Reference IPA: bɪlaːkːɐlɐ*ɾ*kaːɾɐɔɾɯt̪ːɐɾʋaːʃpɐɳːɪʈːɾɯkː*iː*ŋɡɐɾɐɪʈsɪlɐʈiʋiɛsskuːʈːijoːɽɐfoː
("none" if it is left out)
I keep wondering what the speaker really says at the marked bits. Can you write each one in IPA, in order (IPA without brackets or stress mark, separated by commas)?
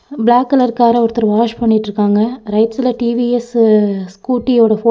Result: ɾ, aː